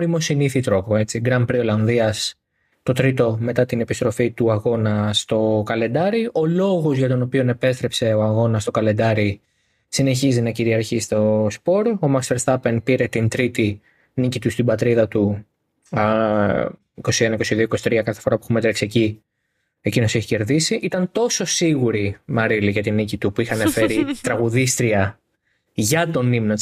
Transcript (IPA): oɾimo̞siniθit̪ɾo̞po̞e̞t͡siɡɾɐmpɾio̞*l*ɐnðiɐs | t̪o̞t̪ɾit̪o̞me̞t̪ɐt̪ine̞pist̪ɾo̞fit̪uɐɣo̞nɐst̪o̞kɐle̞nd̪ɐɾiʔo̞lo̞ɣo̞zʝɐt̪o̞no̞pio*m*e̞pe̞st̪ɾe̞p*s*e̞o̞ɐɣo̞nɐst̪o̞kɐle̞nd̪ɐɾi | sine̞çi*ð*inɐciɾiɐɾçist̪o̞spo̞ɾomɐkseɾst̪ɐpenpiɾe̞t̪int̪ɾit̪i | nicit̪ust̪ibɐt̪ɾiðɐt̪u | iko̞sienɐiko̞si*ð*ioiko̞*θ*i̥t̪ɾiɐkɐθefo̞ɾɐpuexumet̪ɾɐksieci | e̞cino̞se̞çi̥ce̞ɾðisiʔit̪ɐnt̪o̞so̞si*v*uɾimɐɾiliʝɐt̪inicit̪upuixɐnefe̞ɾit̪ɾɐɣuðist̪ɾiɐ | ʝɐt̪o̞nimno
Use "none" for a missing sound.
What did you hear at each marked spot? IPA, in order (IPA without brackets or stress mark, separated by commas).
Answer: l, n, s, z, ð, s, ɣ